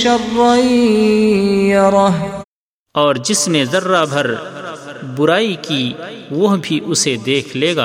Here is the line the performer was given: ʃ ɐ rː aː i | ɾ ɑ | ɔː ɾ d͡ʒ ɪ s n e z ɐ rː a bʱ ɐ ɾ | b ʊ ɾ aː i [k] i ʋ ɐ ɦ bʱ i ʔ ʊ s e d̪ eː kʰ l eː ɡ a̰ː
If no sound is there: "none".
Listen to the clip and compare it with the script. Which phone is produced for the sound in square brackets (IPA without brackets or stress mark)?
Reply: k